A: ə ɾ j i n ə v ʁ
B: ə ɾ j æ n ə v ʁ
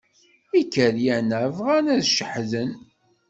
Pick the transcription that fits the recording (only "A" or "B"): B